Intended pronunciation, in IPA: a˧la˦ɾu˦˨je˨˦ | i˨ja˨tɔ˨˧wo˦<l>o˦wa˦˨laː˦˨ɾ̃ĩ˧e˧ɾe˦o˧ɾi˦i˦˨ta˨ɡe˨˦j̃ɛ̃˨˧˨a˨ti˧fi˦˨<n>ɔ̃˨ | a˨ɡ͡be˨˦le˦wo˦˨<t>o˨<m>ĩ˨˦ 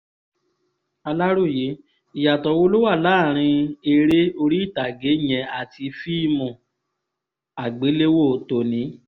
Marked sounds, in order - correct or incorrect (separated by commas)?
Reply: correct, incorrect, correct, incorrect